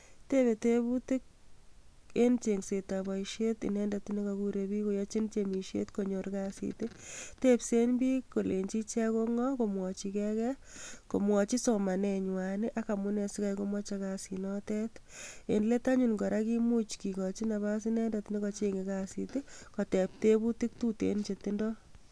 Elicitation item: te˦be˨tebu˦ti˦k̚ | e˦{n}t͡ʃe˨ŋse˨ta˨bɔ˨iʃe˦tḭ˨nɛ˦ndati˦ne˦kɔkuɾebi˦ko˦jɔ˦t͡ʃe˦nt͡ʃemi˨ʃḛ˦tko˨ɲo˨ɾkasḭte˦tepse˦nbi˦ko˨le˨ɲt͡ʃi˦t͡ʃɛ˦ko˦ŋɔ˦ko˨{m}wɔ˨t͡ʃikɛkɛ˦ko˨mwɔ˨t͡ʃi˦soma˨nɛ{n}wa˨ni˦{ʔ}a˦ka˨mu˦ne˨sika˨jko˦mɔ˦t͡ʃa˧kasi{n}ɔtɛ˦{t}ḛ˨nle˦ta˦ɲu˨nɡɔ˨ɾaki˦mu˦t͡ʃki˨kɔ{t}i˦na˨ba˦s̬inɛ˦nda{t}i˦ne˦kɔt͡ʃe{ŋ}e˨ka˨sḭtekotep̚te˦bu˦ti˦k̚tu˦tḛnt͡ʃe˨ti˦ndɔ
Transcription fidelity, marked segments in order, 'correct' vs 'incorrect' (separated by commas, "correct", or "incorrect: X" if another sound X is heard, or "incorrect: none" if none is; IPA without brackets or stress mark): correct, correct, incorrect: ɲ, correct, correct, correct, incorrect: t͡ʃ, correct, correct